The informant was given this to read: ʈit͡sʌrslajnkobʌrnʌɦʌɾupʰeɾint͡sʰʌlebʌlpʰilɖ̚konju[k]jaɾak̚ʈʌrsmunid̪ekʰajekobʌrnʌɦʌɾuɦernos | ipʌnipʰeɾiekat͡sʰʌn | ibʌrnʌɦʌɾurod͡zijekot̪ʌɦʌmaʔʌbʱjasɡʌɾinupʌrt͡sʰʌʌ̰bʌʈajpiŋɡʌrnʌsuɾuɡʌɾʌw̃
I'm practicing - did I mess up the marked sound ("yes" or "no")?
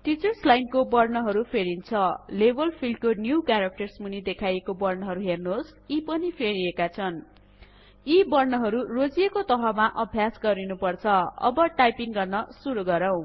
no